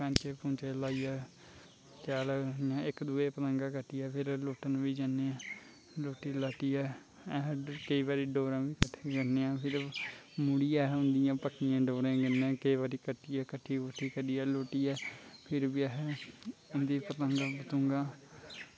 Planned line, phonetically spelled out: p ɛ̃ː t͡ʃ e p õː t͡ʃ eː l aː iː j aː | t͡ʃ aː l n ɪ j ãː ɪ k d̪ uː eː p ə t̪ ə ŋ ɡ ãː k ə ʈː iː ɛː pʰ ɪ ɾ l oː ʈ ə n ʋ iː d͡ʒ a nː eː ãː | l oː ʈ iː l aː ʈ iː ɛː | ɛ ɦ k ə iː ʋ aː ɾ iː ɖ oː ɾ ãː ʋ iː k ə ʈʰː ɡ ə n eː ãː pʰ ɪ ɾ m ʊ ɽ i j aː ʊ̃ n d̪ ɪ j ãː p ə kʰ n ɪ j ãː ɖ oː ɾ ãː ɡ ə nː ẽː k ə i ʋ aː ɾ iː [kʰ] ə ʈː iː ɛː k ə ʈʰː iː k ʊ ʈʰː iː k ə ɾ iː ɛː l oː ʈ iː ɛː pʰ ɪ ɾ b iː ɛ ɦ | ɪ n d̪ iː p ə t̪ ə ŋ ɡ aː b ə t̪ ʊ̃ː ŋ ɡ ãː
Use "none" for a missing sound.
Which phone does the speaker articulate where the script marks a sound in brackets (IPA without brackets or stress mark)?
k